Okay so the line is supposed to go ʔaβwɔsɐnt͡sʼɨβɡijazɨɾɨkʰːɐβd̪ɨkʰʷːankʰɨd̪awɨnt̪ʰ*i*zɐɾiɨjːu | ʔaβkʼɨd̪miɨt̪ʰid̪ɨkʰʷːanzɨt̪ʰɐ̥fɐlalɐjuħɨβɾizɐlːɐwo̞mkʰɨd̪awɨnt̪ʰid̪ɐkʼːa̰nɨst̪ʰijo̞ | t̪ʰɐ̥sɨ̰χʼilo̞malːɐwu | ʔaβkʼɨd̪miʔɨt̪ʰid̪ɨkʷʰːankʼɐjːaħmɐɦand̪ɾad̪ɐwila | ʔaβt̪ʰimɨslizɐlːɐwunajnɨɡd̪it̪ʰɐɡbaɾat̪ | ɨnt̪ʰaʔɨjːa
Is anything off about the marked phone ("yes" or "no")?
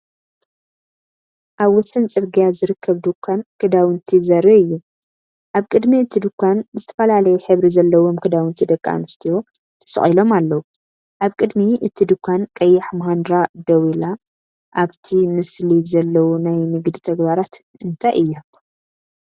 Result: no